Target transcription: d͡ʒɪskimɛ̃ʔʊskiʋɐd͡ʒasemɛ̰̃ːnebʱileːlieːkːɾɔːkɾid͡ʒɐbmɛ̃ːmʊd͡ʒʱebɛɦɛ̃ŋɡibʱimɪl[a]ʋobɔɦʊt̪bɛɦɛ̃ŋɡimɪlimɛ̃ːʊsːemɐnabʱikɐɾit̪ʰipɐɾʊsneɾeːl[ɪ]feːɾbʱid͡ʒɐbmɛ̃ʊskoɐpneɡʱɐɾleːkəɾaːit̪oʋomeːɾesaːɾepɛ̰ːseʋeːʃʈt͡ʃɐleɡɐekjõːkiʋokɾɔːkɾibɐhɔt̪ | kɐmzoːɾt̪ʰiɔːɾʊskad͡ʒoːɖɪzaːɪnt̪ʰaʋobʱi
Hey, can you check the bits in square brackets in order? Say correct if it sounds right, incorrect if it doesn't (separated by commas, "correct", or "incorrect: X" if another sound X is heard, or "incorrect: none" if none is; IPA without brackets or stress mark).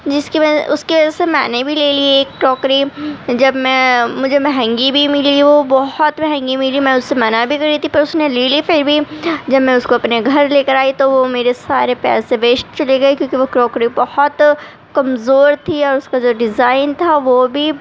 incorrect: i, incorrect: i